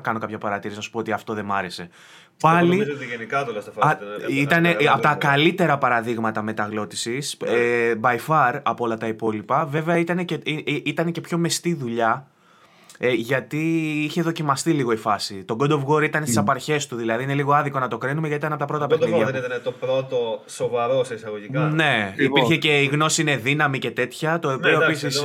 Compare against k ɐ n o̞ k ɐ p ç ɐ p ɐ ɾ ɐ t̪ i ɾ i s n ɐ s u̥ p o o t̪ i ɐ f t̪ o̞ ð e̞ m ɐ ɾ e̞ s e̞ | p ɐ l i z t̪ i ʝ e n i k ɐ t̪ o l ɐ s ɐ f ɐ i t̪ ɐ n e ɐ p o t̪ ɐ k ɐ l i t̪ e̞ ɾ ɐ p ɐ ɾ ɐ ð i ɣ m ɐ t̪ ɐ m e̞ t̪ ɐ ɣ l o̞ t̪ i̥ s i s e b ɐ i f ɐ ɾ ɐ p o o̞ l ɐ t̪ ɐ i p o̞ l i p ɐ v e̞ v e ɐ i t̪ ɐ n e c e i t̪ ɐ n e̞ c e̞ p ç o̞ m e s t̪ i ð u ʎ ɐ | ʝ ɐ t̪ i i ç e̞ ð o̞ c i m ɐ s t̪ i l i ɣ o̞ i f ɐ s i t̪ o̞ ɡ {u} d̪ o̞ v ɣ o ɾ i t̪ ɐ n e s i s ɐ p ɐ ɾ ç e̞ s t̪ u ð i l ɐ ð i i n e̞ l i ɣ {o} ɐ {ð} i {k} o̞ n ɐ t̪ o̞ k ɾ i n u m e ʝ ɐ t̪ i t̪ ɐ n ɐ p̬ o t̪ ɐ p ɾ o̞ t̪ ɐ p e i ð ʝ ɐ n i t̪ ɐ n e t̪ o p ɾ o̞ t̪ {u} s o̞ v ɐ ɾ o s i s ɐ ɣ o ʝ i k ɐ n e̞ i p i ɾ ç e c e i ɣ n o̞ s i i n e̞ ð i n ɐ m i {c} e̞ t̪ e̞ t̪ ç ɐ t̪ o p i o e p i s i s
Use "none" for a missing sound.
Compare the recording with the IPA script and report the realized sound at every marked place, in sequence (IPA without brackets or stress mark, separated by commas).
o, o, ð, k, o, c